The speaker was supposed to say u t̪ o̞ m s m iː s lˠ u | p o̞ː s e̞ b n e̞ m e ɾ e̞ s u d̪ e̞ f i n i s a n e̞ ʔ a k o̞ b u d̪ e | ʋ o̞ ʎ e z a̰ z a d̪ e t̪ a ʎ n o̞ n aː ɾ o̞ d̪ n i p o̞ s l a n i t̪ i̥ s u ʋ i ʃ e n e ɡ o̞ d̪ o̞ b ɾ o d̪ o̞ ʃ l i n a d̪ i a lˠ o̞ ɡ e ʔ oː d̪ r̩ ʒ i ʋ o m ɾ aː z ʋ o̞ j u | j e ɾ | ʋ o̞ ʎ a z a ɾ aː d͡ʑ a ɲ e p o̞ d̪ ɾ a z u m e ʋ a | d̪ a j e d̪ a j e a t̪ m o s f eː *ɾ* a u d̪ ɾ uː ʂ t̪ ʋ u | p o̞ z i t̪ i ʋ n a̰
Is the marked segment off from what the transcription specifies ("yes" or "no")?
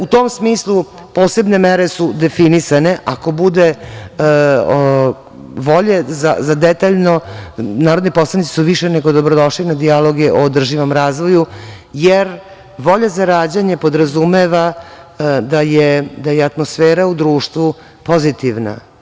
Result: no